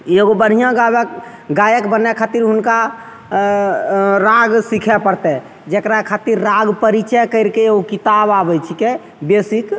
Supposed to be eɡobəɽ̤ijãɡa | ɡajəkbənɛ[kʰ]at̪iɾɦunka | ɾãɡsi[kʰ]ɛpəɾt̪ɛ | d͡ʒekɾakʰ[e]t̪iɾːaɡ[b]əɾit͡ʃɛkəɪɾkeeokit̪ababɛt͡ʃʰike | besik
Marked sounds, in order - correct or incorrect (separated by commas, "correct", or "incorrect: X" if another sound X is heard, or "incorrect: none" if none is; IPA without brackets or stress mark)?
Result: correct, correct, incorrect: a, incorrect: p